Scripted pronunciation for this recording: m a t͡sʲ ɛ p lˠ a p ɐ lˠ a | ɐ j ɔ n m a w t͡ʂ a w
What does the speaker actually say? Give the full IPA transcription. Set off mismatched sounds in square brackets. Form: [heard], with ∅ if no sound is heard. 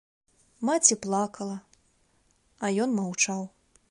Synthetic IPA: m a t͡sʲ [i] p lˠ a [k] ɐ lˠ [ɐ] | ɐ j ɔ n m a w t͡ʂ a w